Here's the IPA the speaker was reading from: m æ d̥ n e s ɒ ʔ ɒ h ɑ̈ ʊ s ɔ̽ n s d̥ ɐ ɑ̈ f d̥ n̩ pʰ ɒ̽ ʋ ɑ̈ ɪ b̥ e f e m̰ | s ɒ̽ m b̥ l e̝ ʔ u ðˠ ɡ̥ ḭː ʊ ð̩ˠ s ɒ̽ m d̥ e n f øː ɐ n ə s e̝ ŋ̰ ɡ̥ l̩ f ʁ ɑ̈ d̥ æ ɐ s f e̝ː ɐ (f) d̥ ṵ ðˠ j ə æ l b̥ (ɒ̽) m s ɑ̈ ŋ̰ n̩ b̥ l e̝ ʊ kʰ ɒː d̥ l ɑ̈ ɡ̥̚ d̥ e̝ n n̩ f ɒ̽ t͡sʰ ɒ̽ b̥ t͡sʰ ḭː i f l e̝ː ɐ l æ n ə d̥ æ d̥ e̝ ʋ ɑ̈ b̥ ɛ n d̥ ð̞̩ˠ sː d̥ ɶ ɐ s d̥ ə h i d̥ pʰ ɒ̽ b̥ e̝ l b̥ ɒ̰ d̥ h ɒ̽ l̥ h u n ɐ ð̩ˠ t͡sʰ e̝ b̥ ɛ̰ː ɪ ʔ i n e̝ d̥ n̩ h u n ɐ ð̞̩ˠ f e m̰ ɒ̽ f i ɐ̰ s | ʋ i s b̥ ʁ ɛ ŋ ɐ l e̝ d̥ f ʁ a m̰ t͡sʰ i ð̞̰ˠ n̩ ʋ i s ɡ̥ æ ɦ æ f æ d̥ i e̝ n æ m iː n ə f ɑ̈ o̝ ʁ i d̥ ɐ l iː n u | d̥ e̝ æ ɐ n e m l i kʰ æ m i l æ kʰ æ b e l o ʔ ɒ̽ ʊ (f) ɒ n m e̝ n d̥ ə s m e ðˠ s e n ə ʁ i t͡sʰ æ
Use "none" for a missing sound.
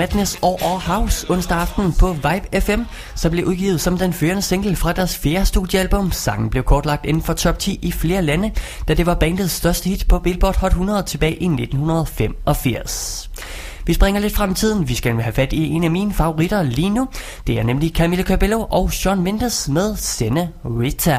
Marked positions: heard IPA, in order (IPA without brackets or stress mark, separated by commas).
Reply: s, ɔ̽, ɕ